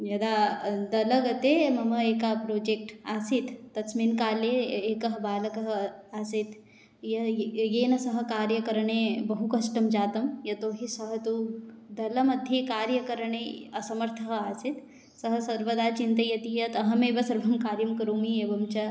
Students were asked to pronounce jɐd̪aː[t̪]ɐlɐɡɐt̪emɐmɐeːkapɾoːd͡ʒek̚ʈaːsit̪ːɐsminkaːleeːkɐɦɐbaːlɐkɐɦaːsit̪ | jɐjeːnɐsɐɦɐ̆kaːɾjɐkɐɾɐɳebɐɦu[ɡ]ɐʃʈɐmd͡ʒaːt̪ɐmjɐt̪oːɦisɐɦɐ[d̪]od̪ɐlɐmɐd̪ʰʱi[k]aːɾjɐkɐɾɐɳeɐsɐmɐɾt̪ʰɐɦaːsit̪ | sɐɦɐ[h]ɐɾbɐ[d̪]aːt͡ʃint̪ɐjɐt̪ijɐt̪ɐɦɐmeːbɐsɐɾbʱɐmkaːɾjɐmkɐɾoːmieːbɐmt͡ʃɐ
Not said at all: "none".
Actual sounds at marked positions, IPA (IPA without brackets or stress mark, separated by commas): d̪, k, t̪, k, s, d̪